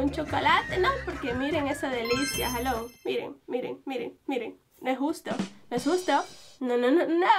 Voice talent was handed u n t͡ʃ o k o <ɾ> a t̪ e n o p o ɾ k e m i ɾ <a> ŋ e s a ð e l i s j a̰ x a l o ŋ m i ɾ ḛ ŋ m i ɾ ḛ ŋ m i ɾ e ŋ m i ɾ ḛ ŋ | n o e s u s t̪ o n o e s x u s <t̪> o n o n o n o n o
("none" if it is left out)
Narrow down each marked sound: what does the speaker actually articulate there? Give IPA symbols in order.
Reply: l, e, t̪

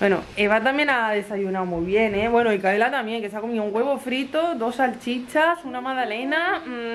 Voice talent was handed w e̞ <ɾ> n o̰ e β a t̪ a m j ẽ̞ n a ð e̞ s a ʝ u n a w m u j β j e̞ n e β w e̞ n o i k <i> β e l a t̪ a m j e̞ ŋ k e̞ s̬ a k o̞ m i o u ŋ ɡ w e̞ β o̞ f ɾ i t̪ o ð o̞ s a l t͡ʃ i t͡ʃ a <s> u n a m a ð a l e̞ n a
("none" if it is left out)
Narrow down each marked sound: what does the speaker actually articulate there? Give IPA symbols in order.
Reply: none, a, s

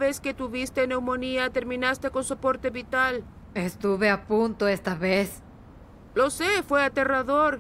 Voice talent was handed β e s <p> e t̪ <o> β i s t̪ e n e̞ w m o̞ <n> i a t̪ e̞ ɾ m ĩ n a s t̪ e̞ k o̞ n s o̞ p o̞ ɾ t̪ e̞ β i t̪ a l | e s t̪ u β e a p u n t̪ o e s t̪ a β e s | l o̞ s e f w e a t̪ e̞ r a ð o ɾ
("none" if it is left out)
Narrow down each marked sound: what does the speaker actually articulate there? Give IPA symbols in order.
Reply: k, u, n

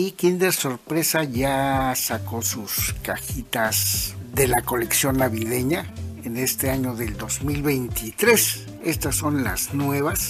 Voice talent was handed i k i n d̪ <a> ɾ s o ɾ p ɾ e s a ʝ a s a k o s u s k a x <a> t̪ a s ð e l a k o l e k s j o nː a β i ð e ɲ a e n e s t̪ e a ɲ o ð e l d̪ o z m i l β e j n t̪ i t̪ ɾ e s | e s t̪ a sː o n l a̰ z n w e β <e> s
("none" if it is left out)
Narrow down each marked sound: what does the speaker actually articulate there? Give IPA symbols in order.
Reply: e, i, a

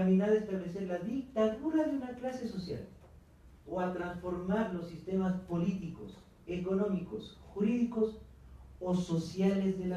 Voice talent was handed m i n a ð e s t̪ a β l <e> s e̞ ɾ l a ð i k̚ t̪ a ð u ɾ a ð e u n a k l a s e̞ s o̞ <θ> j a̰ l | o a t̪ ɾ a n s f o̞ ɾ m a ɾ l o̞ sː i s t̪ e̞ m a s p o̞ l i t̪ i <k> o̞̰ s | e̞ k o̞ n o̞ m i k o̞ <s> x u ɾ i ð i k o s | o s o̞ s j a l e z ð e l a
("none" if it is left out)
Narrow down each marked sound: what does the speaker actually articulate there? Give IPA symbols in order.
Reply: e, s, k, s

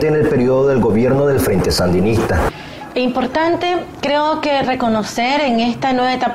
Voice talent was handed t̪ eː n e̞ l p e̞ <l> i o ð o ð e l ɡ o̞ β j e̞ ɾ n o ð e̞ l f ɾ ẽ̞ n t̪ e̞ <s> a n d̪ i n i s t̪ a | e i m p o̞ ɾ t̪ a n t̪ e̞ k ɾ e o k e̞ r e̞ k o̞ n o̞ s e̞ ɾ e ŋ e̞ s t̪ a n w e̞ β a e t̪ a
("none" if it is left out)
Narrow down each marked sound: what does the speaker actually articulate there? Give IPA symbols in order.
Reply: ɾ, s

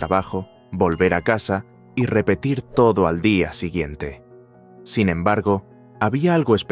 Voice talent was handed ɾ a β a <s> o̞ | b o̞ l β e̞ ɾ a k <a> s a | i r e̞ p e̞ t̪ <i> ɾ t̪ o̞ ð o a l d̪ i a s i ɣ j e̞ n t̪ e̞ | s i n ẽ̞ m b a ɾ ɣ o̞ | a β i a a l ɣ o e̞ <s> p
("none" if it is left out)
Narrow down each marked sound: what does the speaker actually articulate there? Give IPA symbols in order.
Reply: x, a, i, s

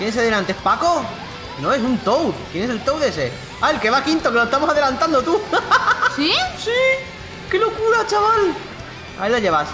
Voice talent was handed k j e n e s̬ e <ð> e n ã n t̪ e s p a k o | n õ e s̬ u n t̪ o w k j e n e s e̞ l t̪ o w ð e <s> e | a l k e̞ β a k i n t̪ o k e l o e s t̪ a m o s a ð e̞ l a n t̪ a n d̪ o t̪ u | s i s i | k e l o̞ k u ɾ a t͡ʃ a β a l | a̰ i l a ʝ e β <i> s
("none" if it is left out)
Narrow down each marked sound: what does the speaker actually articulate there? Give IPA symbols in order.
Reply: ð, s, a

